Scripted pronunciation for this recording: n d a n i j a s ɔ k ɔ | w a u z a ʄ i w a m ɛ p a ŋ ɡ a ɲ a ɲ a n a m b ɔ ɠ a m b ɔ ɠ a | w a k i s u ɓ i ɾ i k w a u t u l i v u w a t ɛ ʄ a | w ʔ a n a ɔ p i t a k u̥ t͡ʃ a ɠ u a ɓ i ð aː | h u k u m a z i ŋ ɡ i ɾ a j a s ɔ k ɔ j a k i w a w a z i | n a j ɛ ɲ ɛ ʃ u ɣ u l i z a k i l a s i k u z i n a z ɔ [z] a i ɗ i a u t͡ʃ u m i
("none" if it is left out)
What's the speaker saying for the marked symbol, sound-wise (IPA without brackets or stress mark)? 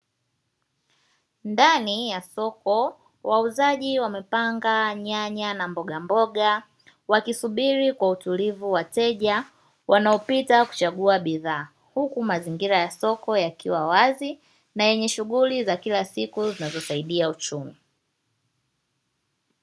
s